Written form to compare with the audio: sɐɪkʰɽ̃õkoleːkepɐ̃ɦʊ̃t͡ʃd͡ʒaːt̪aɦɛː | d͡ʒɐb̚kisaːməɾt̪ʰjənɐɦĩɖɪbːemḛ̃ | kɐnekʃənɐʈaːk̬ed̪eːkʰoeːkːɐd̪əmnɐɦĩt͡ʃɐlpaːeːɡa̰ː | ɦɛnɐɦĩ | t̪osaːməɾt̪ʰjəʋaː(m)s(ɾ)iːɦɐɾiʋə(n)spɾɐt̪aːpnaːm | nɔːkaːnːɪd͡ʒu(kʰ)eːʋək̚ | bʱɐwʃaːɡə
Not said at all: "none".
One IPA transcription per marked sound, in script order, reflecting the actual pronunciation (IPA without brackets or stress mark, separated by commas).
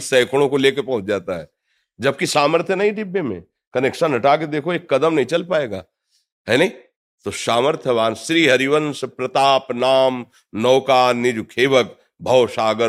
n, ɾ, n, kʰ